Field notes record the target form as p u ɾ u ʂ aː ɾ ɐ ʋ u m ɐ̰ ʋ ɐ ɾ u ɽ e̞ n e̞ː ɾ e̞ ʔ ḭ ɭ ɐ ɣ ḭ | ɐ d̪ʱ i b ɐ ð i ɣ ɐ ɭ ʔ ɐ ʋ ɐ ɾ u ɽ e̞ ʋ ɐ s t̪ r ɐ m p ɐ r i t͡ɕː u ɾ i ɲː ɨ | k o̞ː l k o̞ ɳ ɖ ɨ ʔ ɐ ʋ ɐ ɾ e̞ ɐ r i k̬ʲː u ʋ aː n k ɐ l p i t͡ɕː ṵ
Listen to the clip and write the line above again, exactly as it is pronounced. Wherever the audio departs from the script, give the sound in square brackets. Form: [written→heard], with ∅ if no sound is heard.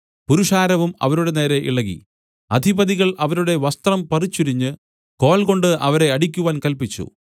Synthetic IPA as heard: p u ɾ u ʂ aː ɾ ɐ ʋ u m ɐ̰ ʋ ɐ ɾ u ɽ e̞ n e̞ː ɾ e̞ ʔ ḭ ɭ ɐ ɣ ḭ | ɐ d̪ʱ i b ɐ ð i ɣ ɐ ɭ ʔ ɐ ʋ ɐ ɾ u ɽ e̞ ʋ ɐ s t̪ r ɐ m p ɐ r i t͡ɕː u ɾ i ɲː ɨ | k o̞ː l k o̞ ɳ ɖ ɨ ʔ ɐ ʋ ɐ ɾ e̞ ɐ [r→ɽ] i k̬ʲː u ʋ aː n k ɐ l p i t͡ɕː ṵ

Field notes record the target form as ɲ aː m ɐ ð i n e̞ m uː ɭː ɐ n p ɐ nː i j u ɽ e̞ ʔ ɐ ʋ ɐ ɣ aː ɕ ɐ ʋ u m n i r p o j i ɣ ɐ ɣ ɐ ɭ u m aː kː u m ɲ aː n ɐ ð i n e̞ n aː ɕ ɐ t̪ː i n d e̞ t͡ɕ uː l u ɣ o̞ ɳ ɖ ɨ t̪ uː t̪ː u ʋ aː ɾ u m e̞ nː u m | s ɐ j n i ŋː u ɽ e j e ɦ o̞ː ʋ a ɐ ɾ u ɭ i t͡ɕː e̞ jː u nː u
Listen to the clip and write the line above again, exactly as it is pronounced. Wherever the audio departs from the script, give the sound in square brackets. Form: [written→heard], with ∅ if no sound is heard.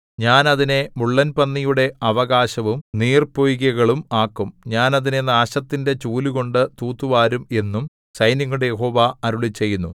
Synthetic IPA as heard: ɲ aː [m→n] ɐ ð i n e̞ m [uː→u] ɭː ɐ n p ɐ nː i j u ɽ e̞ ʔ ɐ ʋ ɐ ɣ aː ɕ ɐ ʋ u m n [i→iː] r p o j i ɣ ɐ ɣ ɐ ɭ u m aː kː u m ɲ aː n ɐ ð i n e̞ n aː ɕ ɐ t̪ː i n d e̞ t͡ɕ uː l u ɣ o̞ ɳ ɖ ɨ t̪ uː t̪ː u ʋ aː ɾ u m e̞ nː u m | s ɐ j n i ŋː u ɽ e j e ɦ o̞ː ʋ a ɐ ɾ u ɭ i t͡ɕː e̞ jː u nː u

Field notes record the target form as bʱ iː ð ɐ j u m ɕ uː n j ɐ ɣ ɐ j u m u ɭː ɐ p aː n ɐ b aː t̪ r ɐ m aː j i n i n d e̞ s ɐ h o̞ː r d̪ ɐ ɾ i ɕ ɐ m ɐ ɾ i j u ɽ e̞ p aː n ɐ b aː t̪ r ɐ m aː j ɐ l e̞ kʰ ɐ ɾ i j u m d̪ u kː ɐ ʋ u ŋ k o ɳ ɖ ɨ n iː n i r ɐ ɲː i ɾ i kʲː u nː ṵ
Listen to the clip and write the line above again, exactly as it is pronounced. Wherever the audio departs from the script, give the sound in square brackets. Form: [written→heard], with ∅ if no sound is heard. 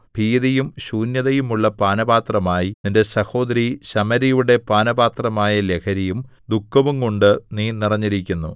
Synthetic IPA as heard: bʱ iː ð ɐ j u m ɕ uː n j ɐ [ɣ→ð] ɐ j u m u ɭː ɐ p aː n ɐ b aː t̪ r ɐ m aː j i n i n d e̞ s ɐ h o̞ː [r→∅] d̪ ɐ ɾ i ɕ ɐ m ɐ ɾ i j u ɽ e̞ p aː n ɐ b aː t̪ r ɐ m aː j ɐ l e̞ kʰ ɐ ɾ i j u m d̪ u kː ɐ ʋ u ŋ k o ɳ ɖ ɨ n iː n i r ɐ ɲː i ɾ i kʲː u nː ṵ

